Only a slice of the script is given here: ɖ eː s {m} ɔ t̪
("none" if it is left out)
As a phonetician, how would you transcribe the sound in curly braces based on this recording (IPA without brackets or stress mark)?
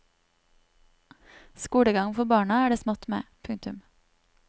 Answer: m